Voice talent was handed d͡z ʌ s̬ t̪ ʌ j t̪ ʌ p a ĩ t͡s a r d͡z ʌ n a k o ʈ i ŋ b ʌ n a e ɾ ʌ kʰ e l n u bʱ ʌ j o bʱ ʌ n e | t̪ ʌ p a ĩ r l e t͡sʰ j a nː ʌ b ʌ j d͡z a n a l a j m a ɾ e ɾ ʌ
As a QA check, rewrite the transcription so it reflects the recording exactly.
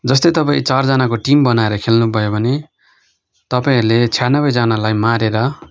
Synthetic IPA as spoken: d͡z ʌ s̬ t̪ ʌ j t̪ ʌ p a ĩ t͡s a r d͡z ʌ n a k o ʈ i m b ʌ n a e ɾ ʌ kʰ e l n u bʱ ʌ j o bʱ ʌ n e | t̪ ʌ p a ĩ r l e t͡sʰ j a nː ʌ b ʌ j d͡z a n a l a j m a ɾ e ɾ ʌ